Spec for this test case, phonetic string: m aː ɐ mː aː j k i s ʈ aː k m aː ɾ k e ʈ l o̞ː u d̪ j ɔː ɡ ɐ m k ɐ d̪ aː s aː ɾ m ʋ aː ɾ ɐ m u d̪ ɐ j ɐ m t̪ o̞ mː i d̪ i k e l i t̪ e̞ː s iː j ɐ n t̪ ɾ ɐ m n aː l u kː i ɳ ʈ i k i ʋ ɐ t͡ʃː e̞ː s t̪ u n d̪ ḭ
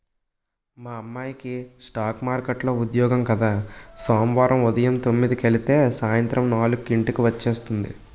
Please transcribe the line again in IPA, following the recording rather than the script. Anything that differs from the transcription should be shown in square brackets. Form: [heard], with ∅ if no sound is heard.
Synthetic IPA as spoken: m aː ɐ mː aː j k i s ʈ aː k m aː ɾ k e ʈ l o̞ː u d̪ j ɔː ɡ ɐ m k ɐ d̪ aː s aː [∅] m ʋ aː ɾ ɐ m u d̪ ɐ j ɐ m t̪ o̞ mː i d̪ i k e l i t̪ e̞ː s [aː] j ɐ n t̪ ɾ ɐ m n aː l u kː i ɳ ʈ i k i ʋ ɐ t͡ʃː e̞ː s t̪ u n d̪ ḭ